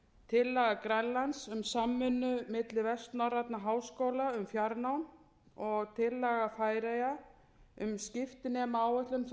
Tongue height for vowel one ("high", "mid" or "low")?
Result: high